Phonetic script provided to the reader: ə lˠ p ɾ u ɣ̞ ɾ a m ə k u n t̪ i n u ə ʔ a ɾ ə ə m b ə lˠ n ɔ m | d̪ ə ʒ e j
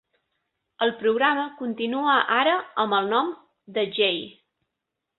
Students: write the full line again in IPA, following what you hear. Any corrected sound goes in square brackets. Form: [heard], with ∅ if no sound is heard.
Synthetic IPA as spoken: ə lˠ p ɾ u ɣ̞ ɾ a m ə k u n t̪ i n u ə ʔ a ɾ ə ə m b ə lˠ n ɔ m | d̪ ə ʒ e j